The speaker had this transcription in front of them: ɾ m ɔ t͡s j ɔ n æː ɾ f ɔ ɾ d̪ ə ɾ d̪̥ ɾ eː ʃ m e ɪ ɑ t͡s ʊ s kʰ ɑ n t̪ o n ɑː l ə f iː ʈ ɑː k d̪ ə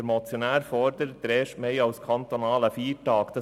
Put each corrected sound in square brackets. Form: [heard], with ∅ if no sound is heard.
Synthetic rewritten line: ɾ m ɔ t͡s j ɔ n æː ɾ f ɔ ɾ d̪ ə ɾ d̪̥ ɾ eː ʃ m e ɪ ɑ [∅] ʊ s kʰ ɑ n t̪ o n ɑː l ə f iː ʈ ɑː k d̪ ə